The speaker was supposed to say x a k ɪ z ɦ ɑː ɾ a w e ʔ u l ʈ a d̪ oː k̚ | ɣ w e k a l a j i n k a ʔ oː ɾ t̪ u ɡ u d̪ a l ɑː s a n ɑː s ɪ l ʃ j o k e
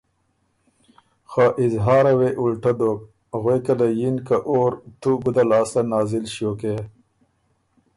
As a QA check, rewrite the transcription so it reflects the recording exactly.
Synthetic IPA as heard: x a ʔ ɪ z ɦ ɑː ɾ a w e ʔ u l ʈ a d̪ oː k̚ | ɣ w e k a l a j i n k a ʔ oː ɾ t̪ u ɡ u d̪ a l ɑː s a n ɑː z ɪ l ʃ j o k e